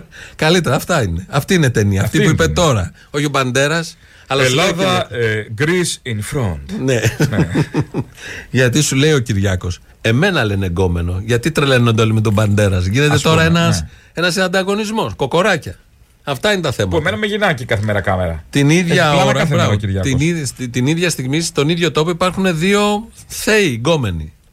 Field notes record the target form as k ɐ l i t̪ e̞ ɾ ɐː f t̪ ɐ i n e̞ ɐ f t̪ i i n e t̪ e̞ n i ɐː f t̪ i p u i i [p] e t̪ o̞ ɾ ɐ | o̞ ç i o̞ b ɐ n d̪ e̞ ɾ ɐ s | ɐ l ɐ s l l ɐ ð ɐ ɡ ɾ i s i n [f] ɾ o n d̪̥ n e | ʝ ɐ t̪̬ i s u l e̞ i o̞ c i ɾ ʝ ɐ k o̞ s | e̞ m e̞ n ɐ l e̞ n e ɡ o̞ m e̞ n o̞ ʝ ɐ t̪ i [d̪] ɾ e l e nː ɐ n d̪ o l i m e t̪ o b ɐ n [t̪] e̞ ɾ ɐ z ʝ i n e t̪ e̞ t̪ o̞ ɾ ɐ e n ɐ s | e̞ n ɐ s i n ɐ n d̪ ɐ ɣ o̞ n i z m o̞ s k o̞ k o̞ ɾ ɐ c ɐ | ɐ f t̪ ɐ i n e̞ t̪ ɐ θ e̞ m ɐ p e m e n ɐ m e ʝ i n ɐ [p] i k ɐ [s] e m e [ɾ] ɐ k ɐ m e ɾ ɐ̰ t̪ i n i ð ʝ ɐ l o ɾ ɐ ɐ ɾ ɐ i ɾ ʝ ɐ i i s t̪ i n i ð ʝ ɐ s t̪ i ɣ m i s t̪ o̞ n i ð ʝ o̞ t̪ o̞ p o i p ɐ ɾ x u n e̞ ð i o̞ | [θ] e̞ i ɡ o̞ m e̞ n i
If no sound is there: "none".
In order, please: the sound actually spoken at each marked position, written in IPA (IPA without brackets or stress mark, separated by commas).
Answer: p, f, t̪, d̪, c, θ, ɾ, θ